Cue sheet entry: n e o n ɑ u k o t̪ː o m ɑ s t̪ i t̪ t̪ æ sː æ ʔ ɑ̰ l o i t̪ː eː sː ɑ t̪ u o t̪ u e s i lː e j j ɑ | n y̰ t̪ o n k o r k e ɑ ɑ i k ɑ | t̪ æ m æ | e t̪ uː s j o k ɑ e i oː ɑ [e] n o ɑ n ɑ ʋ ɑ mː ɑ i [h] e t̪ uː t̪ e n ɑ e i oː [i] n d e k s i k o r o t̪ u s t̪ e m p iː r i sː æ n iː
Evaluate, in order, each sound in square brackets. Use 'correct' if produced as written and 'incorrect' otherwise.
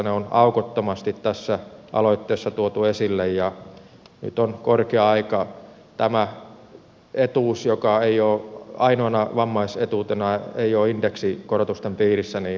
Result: incorrect: i, incorrect: s, correct

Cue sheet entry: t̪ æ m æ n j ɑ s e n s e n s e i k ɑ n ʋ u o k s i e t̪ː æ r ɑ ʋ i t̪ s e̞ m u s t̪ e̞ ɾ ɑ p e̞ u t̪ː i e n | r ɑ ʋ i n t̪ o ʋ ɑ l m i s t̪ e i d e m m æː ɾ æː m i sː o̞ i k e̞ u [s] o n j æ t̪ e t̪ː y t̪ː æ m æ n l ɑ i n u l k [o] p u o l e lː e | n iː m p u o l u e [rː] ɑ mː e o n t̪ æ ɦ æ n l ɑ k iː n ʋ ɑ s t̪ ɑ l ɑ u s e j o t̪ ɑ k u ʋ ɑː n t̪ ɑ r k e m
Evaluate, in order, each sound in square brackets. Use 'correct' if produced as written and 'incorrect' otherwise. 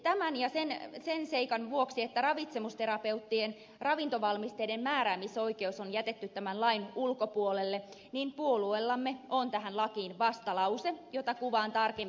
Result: correct, correct, incorrect: lː

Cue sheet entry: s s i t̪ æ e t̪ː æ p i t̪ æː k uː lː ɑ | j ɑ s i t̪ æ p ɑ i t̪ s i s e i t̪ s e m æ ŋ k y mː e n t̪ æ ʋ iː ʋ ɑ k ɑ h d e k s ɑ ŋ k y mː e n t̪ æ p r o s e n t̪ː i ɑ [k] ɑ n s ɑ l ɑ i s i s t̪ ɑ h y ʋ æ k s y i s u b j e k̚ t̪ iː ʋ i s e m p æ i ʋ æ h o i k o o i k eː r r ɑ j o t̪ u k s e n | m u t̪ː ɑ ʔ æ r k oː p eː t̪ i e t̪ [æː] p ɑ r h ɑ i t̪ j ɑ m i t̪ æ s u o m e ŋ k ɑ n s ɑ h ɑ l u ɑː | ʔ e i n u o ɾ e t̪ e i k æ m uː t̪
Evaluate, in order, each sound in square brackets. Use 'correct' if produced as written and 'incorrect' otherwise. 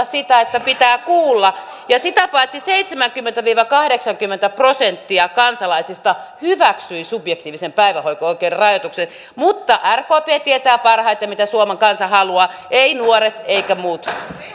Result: correct, correct

